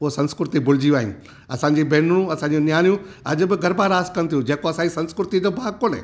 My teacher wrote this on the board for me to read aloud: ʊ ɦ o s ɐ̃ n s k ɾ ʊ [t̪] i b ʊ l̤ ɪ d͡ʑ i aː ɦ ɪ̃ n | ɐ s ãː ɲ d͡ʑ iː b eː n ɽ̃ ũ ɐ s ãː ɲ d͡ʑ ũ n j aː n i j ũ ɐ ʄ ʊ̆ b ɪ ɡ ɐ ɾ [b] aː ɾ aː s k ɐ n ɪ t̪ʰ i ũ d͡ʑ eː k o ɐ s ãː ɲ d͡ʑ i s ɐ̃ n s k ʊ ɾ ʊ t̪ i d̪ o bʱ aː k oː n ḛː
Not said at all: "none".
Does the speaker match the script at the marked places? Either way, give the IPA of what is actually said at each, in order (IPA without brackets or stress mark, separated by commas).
t̪, b